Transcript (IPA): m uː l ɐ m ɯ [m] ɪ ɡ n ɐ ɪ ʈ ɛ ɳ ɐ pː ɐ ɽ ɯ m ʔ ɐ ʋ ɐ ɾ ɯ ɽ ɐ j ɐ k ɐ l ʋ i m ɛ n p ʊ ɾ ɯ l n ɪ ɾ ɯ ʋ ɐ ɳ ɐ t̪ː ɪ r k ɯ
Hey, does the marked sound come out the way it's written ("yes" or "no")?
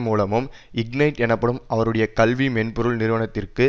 yes